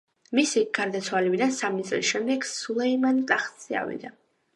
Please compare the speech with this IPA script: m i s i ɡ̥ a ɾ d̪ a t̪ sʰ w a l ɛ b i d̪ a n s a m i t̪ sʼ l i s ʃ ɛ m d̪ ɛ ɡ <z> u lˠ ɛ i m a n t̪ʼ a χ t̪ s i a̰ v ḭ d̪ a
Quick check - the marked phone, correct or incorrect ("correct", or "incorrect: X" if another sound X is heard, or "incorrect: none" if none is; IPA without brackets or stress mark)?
incorrect: s